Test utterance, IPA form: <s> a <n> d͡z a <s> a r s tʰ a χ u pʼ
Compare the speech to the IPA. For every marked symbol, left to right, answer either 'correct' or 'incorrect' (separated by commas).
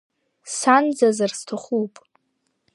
correct, correct, incorrect